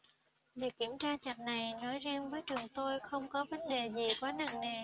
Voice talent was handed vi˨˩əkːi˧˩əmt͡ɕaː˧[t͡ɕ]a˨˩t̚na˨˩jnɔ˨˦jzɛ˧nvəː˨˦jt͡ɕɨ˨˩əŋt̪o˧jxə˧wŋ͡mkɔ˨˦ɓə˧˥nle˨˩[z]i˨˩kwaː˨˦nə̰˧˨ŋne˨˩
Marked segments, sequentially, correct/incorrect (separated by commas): correct, correct